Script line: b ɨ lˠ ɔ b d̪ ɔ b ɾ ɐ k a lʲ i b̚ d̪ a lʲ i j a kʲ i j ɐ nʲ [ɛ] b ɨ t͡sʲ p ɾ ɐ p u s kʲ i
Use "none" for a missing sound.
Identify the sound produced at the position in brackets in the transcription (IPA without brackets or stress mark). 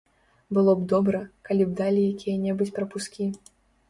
ɛ